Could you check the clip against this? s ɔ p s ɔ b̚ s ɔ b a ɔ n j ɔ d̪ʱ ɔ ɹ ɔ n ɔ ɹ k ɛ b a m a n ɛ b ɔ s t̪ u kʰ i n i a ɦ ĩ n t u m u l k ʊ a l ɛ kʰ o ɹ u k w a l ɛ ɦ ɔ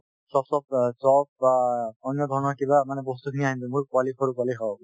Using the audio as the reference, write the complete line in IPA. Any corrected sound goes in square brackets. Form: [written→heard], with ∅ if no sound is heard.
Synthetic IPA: s ɔ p s ɔ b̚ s ɔ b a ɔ n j ɔ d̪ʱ ɔ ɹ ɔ n ɔ ɹ k [ɛ→i] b a m a n ɛ b ɔ s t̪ u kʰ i n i a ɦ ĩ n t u m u [l→ɹ] k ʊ a l [ɛ→i] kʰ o ɹ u k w a l [ɛ→i] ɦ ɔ